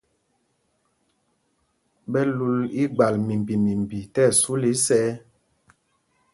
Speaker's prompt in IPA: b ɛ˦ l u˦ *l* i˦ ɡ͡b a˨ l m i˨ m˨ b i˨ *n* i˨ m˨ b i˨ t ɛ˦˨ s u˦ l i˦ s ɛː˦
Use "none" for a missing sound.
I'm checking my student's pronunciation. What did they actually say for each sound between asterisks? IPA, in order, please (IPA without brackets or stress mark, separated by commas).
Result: l, m